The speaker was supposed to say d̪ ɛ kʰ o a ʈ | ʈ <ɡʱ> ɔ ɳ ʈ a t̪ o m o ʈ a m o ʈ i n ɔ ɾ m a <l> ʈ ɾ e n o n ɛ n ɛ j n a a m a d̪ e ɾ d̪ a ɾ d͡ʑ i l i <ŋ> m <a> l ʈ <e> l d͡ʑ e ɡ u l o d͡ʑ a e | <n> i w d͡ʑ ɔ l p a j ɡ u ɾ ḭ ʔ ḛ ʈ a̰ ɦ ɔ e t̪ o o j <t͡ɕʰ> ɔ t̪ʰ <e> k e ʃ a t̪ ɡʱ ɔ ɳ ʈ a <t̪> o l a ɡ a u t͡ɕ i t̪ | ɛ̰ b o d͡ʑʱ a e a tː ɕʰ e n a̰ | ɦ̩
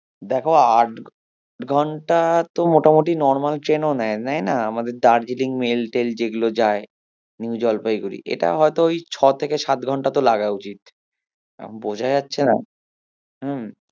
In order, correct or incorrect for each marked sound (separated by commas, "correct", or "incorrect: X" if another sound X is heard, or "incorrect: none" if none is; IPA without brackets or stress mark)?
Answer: correct, correct, correct, incorrect: e, correct, correct, correct, correct, correct